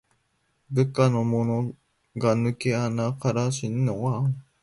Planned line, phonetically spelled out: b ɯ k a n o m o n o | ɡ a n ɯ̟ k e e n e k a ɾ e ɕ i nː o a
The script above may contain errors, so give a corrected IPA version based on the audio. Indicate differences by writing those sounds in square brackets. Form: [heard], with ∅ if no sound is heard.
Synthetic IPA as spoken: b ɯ k a n o m o n o | ɡ a n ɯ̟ k e [a] n [a] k a ɾ [a] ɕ i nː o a